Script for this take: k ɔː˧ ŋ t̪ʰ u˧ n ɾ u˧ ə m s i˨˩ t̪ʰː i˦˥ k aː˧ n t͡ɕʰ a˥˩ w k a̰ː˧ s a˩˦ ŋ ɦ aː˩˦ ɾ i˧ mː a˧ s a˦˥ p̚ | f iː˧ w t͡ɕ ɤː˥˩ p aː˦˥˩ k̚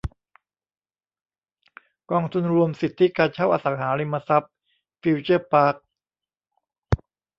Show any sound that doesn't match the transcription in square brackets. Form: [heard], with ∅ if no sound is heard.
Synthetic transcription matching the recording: k ɔː˧ ŋ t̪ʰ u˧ n ɾ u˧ ə m s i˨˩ t̪ʰː i˦˥ k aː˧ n t͡ɕʰ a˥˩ w [ʔ] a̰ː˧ s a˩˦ ŋ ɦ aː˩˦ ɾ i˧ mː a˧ s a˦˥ p̚ | f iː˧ w t͡ɕ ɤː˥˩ p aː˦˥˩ k̚

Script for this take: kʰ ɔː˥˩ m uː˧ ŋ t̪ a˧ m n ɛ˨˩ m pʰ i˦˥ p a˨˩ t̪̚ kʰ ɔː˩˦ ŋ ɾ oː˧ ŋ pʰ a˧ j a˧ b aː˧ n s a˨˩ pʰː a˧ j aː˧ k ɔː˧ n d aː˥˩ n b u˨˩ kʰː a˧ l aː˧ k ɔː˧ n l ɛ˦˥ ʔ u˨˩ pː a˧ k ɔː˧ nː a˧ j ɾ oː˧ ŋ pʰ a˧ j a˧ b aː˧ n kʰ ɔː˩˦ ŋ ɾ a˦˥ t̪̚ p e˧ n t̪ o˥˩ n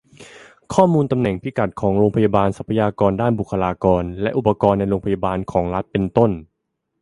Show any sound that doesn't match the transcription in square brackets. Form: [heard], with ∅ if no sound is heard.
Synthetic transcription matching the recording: kʰ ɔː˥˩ m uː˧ [n] t̪ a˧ m n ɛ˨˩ [ŋ] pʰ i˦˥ [k] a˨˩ t̪̚ kʰ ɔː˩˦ ŋ ɾ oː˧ ŋ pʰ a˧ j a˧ b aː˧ n s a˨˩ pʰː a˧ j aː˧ k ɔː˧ n d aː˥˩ n b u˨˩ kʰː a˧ l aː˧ k ɔː˧ n l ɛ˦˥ ʔ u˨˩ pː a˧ k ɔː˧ nː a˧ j ɾ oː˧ ŋ pʰ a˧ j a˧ b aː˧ n kʰ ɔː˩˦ ŋ ɾ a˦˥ t̪̚ p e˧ n t̪ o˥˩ n

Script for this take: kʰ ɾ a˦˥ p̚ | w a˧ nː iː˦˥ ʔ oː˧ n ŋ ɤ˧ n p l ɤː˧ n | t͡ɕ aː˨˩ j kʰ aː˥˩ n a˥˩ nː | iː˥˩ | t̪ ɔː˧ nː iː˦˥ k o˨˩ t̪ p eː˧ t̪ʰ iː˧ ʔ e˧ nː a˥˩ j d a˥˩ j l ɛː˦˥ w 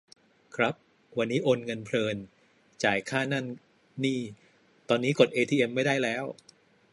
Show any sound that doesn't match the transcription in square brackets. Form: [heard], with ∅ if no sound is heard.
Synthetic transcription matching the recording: kʰ ɾ a˦˥ p̚ | w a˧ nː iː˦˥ ʔ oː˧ n ŋ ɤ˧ n [pʰ] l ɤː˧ n | t͡ɕ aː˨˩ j kʰ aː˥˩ n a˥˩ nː | iː˥˩ | t̪ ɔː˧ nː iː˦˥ k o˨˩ t̪ [ʔ] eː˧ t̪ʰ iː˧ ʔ e˧ [mː] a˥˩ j d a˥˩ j l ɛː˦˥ w

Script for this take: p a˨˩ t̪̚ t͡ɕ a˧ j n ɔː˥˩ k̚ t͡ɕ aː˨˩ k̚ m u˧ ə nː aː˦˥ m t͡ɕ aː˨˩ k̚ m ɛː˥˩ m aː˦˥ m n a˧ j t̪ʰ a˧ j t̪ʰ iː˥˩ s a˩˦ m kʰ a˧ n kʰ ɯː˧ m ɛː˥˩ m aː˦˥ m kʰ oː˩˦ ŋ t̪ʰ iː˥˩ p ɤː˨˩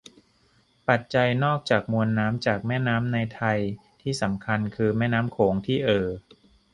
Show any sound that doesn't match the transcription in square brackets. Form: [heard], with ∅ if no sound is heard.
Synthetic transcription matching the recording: p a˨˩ t̪̚ t͡ɕ a˧ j n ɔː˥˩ k̚ t͡ɕ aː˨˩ k̚ m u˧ ə nː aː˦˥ m t͡ɕ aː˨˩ k̚ m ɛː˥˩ [n] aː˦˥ m n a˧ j t̪ʰ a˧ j t̪ʰ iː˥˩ s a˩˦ m kʰ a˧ n kʰ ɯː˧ m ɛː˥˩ [n] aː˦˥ m kʰ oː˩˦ ŋ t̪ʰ iː˥˩ [ʔ] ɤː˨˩

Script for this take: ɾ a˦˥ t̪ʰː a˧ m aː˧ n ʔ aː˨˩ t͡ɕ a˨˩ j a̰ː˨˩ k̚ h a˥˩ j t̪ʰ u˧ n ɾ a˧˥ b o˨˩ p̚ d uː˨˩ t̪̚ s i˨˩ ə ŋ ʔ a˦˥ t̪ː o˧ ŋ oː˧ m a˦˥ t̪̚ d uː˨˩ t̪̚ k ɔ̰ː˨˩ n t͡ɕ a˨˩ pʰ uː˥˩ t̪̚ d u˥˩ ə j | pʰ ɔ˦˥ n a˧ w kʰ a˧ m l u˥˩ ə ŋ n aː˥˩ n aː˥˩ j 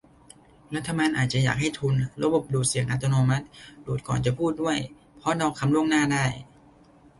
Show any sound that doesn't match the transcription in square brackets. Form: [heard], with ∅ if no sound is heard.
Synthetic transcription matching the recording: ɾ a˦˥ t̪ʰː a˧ m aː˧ n ʔ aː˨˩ t͡ɕ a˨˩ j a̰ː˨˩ k̚ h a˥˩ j t̪ʰ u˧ n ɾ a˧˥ b o˨˩ p̚ d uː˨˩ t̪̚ s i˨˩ ə ŋ ʔ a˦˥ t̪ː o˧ [n] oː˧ m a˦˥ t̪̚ d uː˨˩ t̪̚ k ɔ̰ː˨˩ n t͡ɕ a˨˩ pʰ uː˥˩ t̪̚ d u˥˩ ə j | pʰ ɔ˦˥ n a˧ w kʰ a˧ m l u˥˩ ə ŋ n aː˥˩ [d] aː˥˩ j

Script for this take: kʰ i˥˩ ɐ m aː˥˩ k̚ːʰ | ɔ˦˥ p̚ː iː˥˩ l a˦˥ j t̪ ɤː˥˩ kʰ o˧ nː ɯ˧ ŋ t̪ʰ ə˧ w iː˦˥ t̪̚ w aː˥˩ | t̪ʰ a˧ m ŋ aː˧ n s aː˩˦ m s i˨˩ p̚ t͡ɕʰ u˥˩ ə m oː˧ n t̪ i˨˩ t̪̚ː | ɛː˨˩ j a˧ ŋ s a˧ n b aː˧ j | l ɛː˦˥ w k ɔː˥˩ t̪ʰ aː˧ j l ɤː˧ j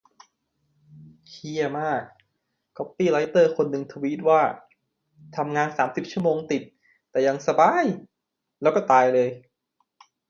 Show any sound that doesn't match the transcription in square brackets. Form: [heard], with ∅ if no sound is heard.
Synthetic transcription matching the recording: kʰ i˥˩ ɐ m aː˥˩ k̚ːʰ | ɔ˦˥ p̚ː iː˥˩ l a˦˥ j t̪ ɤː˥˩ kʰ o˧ nː ɯ˧ ŋ t̪ʰ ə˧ w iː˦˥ t̪̚ w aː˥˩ | t̪ʰ a˧ m ŋ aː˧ n s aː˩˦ m s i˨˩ p̚ t͡ɕʰ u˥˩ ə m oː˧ [ŋ] t̪ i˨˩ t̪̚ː | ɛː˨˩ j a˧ ŋ s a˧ [∅] b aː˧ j | l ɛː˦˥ w k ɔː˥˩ [t̪] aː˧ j l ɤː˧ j

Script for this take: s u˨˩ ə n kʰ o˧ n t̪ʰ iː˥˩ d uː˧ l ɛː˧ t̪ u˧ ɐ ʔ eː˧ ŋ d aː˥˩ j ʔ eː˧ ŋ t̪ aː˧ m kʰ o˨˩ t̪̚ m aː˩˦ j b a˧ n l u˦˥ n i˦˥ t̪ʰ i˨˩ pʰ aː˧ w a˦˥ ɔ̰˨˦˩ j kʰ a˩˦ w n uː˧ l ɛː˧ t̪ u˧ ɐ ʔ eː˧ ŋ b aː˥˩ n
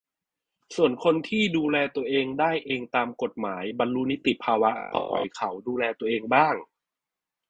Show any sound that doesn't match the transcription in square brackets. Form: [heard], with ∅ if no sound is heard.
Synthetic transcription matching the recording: s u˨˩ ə n kʰ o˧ n t̪ʰ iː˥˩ d uː˧ l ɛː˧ t̪ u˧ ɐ ʔ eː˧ ŋ d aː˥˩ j ʔ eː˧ ŋ t̪ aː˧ m [k] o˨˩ t̪̚ m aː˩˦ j b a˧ n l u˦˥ n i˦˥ [t̪] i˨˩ pʰ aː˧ w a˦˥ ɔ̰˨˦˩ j kʰ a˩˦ w [d] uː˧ l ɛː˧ t̪ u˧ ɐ ʔ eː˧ ŋ b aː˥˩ [ŋ]

